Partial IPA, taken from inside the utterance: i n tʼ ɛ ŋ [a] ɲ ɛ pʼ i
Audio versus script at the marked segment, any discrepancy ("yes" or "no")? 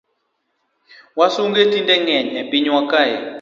yes